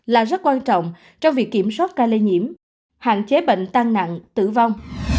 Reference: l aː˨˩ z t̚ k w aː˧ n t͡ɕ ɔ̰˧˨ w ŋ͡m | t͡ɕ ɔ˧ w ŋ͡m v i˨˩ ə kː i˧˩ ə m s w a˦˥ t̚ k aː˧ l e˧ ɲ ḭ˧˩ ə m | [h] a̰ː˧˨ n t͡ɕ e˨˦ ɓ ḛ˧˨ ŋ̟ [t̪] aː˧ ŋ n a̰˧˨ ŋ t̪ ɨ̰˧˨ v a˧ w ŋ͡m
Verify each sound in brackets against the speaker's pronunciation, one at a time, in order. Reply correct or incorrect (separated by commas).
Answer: correct, correct